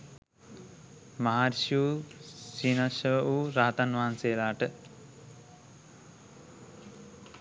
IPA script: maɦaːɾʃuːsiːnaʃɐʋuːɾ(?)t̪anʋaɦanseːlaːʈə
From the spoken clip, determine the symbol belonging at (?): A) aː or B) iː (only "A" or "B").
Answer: A